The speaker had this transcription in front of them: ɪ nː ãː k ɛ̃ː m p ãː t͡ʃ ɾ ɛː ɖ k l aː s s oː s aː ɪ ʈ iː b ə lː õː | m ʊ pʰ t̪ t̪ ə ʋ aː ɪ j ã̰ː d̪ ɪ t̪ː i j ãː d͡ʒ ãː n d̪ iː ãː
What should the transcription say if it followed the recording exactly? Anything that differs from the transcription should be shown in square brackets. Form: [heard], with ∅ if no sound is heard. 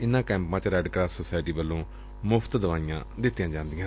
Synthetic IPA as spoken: ɪ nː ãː k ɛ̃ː m p ãː t͡ʃ ɾ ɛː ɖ k [ɾ] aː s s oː s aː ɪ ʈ iː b ə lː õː | m ʊ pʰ t̪ [d̪] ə ʋ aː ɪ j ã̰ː d̪ ɪ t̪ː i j ãː d͡ʒ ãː n d̪ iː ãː